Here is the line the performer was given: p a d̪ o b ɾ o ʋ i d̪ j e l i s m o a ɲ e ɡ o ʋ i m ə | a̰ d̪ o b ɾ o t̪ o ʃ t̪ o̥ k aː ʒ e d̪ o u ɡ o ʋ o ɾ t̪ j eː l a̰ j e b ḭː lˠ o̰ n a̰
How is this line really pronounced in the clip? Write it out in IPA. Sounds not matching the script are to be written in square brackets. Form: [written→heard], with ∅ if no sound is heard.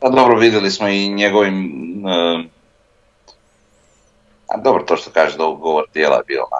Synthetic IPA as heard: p a d̪ o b ɾ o ʋ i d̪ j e l i s m o [a→i] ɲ e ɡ o ʋ i m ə | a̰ d̪ o b ɾ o t̪ o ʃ t̪ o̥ k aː ʒ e d̪ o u ɡ o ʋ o ɾ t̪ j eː l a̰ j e b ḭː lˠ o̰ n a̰